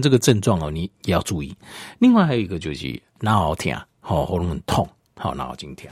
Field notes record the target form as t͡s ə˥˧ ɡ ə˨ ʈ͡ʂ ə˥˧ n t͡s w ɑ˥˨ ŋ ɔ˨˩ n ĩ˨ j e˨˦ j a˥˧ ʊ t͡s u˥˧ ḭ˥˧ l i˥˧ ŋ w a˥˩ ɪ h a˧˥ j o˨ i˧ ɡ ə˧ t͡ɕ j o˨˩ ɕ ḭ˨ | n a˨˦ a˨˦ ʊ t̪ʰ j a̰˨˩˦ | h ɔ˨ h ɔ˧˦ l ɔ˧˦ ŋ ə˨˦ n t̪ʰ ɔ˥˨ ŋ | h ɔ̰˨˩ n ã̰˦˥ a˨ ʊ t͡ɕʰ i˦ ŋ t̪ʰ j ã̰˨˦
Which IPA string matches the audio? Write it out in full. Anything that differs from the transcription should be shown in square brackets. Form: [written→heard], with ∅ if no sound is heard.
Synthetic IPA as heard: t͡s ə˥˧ ɡ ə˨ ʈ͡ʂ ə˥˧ n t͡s w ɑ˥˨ ŋ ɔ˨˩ n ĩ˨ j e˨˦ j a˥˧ ʊ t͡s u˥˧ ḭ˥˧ l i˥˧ ŋ w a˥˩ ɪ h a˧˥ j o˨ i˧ ɡ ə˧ t͡ɕ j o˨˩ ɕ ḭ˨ | n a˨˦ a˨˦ ʊ t̪ʰ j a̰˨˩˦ | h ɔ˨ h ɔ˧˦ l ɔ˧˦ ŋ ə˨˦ n t̪ʰ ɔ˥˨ ŋ | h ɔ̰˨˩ n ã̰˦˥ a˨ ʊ [t͡ɕʰ→t͡ɕ] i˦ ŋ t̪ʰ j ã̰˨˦